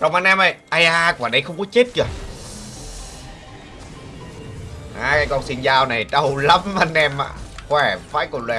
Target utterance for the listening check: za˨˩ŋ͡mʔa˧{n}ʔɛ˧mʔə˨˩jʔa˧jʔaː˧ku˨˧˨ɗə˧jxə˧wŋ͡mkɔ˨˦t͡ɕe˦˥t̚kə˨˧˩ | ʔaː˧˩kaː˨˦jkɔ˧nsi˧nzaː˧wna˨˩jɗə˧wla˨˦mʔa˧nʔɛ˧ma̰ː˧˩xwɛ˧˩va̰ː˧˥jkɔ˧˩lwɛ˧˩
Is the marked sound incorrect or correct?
correct